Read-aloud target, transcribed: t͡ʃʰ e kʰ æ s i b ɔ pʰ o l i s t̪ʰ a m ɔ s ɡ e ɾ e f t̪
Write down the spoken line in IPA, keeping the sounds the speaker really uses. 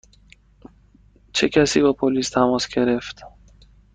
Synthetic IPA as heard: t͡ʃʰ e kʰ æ s i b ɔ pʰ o l i s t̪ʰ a m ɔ s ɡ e ɾ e f t̪